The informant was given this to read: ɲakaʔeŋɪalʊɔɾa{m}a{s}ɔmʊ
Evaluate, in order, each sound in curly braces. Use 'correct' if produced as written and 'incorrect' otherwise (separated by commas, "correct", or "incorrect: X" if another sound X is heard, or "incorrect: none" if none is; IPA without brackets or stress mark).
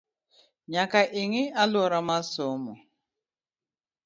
correct, correct